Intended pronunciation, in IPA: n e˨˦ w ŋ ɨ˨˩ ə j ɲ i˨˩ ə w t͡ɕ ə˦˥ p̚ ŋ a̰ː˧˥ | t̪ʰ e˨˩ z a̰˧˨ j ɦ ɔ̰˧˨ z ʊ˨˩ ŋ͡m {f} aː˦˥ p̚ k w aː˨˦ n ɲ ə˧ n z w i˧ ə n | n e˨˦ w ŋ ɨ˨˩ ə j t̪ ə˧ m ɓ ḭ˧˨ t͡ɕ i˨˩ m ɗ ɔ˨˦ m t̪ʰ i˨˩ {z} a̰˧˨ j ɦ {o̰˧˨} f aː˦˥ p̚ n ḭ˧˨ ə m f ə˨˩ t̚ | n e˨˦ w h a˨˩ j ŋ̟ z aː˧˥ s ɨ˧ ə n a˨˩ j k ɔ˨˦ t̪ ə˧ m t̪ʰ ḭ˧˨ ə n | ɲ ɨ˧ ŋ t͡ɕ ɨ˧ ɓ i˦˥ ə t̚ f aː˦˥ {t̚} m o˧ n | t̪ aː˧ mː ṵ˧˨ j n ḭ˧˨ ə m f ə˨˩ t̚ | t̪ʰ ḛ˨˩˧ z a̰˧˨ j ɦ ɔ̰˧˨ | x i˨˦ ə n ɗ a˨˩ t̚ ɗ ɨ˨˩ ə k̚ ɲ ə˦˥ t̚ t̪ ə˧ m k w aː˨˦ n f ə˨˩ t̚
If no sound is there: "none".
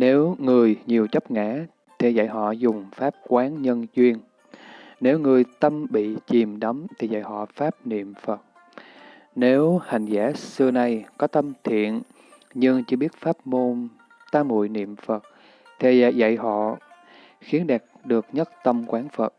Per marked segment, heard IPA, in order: f, z, ɔ̰˧˨, p̚

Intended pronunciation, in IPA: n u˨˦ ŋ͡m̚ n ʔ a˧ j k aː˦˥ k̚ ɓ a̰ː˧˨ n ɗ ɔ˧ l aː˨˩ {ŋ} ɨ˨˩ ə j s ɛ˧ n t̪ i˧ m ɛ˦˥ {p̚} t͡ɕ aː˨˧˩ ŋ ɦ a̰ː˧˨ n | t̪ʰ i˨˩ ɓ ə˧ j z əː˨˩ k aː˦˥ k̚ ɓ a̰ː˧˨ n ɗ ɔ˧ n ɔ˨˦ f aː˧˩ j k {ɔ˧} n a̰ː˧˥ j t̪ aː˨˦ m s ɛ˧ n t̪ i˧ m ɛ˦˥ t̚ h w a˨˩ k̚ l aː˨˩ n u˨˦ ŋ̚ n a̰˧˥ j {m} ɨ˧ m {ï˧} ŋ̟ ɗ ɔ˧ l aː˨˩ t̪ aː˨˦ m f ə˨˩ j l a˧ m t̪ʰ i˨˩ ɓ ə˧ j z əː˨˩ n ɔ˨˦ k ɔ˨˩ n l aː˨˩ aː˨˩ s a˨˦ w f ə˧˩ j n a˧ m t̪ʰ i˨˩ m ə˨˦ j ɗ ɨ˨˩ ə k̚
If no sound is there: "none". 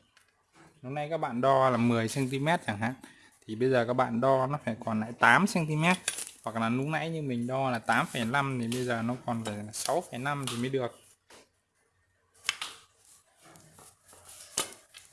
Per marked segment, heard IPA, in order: m, t̚, ɔ˨˩, ɲ, ï˨˩

